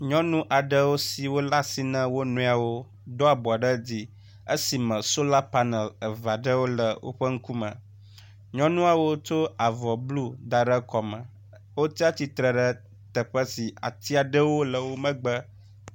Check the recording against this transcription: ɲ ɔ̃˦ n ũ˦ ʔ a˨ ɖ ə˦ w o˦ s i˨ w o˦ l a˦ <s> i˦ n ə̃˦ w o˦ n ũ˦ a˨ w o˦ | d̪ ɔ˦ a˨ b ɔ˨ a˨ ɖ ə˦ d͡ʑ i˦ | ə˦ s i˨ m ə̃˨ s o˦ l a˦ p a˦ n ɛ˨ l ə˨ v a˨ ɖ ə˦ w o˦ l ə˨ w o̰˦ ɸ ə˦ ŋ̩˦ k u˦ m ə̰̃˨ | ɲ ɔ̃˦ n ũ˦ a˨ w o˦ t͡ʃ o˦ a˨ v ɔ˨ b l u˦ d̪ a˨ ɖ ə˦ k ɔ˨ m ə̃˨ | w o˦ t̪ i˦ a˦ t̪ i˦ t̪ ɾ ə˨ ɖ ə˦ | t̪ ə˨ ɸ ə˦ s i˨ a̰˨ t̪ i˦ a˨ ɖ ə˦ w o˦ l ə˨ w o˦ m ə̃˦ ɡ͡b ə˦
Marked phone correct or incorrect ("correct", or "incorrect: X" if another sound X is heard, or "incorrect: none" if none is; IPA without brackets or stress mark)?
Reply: correct